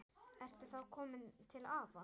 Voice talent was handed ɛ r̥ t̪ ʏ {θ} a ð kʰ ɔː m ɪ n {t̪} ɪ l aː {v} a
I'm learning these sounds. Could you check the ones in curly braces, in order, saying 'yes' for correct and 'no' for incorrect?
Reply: yes, no, yes

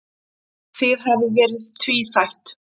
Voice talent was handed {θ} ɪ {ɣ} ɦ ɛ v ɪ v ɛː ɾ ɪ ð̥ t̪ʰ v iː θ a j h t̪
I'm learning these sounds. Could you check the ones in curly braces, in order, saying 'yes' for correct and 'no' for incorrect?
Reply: yes, no

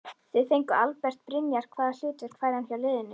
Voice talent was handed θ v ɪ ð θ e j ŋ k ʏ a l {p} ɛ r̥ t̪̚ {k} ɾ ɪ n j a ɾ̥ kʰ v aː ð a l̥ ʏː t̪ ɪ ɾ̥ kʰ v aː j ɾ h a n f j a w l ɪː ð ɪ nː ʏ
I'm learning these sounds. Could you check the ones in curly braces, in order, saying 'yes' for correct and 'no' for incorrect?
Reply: yes, no

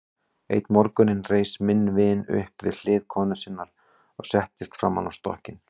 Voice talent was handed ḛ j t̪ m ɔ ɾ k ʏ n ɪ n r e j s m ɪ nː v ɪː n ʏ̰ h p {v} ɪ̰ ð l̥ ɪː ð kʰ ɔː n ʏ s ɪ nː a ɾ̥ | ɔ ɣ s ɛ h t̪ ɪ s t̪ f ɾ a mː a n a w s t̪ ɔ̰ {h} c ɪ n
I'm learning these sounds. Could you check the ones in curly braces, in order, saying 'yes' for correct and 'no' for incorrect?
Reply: yes, yes

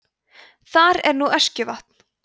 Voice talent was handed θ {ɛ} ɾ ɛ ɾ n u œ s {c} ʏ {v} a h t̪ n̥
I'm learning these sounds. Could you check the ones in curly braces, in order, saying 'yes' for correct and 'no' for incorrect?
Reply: no, yes, yes

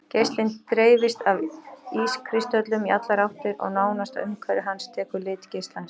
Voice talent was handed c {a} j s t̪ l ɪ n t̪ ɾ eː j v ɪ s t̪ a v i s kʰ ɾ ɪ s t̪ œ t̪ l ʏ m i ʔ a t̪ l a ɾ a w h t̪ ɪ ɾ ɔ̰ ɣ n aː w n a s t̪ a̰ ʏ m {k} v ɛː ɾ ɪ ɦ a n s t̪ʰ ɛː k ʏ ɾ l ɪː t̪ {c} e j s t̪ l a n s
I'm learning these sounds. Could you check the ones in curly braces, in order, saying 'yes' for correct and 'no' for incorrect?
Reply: no, no, yes

